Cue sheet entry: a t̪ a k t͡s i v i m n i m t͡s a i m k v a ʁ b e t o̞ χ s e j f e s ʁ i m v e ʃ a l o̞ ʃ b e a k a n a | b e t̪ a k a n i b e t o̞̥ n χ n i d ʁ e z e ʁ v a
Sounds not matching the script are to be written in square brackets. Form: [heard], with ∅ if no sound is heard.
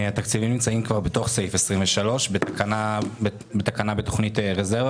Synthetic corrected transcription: a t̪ a k t͡s i v i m n i m t͡s a i m k v a ʁ b e t o̞ χ s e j f e s ʁ i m v e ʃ a l o̞ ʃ b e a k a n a | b e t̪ a k a n [a] b e t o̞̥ [∅] χ n i [t] ʁ e z e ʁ v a